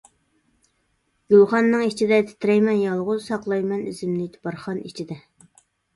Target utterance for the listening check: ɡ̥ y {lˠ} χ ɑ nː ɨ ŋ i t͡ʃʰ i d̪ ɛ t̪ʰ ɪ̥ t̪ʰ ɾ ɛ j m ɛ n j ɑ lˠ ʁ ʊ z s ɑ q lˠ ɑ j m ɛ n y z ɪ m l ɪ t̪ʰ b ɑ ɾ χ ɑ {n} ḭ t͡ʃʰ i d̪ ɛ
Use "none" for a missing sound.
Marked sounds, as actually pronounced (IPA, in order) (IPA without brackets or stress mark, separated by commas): lˠ, n